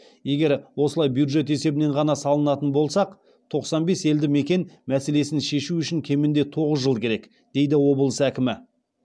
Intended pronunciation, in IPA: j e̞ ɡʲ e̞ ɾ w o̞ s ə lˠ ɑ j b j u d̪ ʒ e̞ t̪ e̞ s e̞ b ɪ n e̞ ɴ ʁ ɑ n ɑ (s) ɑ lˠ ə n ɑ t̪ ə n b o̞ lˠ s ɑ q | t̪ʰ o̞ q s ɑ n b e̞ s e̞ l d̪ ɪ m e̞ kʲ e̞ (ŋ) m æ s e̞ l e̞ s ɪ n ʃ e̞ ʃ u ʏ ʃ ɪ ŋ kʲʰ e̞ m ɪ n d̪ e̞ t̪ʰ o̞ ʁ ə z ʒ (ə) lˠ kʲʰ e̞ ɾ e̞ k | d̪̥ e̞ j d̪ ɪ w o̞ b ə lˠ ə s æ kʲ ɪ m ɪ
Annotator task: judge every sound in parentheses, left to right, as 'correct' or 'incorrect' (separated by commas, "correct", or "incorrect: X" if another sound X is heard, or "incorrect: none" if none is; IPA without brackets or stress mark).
correct, incorrect: n, correct